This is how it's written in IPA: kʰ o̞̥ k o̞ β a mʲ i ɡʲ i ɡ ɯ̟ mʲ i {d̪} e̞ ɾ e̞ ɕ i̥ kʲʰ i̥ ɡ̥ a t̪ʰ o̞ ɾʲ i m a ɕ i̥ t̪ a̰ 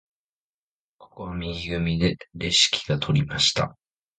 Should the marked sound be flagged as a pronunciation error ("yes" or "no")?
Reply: no